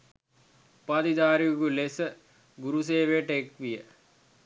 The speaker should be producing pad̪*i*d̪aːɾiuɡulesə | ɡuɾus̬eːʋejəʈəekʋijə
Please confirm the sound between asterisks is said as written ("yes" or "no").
yes